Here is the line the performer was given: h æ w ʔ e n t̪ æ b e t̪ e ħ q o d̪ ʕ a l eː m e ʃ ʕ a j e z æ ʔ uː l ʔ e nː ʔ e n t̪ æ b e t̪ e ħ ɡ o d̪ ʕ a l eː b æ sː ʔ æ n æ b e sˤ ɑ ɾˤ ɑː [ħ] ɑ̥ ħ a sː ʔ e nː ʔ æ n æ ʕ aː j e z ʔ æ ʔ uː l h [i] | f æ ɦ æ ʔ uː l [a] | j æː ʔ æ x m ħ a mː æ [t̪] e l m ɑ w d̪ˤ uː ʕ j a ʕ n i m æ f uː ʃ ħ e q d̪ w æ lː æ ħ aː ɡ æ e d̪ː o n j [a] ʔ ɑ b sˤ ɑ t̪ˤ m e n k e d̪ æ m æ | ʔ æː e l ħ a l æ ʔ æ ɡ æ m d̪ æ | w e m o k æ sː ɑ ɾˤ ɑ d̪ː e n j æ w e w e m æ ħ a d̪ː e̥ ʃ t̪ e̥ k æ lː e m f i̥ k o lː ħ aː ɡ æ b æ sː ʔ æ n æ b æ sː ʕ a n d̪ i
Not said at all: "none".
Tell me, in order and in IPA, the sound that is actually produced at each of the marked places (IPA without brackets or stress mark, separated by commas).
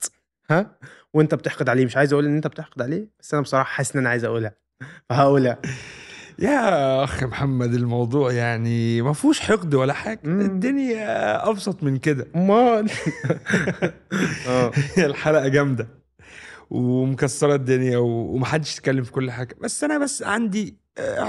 ħ, æ, æ, d̪, æ